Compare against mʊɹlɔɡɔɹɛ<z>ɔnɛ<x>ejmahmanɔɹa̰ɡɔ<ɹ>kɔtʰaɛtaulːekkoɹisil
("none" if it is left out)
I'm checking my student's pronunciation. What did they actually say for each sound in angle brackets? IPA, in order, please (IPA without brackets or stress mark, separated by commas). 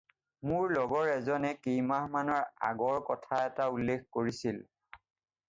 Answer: z, k, ɹ